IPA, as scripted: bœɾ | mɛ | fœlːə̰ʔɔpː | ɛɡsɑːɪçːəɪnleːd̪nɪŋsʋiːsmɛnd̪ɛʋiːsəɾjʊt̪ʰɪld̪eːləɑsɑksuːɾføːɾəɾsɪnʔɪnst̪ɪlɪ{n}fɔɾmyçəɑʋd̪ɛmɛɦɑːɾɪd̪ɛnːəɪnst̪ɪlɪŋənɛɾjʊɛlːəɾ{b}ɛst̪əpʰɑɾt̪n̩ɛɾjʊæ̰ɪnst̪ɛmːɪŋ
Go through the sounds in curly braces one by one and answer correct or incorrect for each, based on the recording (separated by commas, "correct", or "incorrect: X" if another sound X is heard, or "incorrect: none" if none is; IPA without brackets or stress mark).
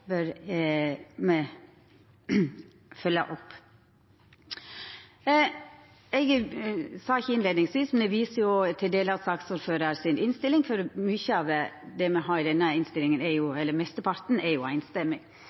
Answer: incorrect: ŋ, incorrect: m